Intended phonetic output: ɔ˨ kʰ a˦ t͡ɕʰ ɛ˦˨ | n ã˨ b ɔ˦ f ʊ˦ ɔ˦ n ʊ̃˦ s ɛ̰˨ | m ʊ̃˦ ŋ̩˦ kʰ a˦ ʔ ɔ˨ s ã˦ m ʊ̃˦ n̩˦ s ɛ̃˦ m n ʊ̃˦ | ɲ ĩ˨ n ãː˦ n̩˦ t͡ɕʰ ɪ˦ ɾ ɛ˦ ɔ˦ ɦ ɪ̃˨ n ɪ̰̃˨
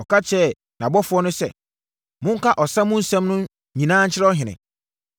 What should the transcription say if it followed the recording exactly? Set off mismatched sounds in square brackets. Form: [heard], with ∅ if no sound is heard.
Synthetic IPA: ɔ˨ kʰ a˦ t͡ɕʰ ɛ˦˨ | n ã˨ b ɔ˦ f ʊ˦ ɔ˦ n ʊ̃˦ s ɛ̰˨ | m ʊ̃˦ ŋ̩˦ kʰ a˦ ʔ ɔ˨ s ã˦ m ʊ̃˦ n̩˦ s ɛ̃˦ m n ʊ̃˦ | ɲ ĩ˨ n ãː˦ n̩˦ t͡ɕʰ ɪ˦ ɾ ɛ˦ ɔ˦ ɦ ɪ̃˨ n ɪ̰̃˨